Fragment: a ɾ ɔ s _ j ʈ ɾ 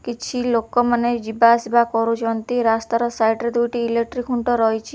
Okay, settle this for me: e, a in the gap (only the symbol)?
a